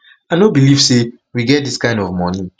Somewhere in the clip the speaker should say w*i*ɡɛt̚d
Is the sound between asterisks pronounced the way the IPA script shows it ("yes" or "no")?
yes